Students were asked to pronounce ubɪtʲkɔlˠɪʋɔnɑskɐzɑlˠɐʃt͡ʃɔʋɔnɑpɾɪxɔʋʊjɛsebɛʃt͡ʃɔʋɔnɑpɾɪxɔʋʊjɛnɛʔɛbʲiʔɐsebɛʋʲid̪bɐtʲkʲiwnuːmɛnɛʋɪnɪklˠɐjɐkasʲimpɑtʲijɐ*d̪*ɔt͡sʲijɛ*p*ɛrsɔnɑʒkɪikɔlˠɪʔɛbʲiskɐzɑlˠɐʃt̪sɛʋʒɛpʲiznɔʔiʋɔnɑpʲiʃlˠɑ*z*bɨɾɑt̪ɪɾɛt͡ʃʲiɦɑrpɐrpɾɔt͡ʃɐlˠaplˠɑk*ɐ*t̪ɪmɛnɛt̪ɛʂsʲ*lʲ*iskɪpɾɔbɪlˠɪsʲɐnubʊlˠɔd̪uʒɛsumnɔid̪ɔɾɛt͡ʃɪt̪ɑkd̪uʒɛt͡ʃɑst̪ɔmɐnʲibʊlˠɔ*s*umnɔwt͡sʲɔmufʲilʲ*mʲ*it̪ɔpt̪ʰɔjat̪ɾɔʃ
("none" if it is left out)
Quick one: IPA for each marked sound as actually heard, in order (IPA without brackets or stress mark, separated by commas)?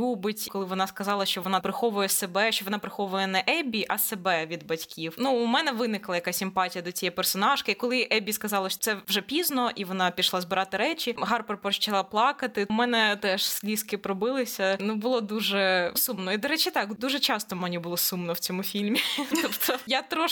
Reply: d̪, p, z, ɐ, lʲ, s, mʲ